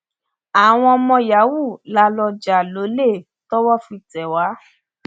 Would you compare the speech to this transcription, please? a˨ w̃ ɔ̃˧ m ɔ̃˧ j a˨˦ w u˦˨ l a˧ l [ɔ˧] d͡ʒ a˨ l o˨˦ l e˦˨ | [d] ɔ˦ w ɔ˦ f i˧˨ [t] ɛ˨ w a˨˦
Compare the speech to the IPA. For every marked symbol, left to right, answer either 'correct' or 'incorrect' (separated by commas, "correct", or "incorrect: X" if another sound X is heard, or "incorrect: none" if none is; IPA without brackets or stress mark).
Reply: correct, incorrect: t, correct